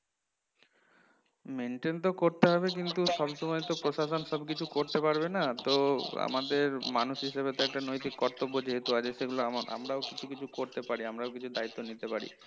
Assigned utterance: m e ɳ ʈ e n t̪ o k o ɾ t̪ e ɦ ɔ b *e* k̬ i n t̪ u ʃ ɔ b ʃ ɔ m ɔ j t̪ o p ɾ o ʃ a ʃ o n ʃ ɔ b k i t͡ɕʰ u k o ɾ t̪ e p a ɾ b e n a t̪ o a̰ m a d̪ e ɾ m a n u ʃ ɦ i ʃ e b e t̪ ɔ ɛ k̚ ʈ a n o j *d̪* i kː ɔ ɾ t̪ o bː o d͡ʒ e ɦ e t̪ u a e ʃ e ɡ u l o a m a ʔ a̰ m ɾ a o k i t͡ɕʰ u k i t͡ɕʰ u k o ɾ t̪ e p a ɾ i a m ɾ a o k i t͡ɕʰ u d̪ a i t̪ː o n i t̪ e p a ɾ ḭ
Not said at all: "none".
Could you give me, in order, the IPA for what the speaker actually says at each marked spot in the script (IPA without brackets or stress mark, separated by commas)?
e, t̪